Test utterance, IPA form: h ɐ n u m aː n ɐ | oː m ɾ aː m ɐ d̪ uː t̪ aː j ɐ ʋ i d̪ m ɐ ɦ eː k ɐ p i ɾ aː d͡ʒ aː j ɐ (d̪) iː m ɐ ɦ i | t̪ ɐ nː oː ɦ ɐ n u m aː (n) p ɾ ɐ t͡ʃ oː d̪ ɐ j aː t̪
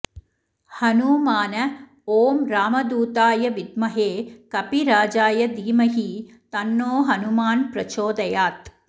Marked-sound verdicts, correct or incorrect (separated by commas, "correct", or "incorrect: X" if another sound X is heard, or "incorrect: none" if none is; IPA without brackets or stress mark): correct, correct